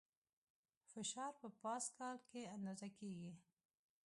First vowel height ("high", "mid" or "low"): high